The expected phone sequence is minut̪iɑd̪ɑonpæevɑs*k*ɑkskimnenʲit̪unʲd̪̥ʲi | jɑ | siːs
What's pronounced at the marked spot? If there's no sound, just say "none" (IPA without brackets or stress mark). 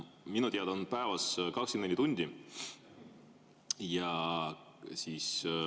k